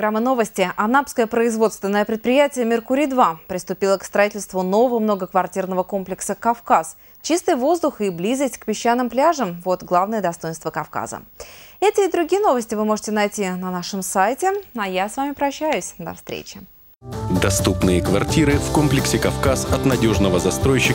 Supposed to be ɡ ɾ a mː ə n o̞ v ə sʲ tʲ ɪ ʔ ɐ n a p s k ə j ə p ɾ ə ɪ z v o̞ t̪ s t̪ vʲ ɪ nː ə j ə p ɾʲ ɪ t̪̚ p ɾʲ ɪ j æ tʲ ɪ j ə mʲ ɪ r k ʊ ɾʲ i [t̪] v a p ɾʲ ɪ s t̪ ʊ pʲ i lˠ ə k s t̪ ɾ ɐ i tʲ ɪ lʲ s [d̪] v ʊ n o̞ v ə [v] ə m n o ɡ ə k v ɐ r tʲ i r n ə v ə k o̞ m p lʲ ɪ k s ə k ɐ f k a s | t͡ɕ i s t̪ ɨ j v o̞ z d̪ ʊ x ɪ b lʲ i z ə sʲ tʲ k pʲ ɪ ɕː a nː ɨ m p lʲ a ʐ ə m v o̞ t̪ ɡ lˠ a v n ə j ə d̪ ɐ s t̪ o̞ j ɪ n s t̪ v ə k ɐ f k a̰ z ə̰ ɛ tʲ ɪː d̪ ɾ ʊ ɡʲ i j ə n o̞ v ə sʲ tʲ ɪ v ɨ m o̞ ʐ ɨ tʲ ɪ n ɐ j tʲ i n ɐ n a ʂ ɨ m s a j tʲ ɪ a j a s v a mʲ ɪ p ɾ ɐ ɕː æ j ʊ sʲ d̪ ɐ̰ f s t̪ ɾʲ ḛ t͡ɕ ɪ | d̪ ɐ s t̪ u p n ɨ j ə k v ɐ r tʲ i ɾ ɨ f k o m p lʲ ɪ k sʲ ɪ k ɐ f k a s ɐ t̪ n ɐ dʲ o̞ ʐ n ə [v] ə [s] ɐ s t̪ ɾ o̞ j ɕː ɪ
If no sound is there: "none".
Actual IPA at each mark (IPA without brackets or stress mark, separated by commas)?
d̪, t̪, v, v, z